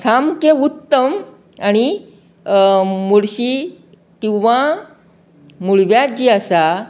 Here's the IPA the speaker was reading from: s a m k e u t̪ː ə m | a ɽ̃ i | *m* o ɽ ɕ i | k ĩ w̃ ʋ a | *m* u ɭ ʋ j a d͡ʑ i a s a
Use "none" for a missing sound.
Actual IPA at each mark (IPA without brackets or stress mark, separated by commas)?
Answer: m, m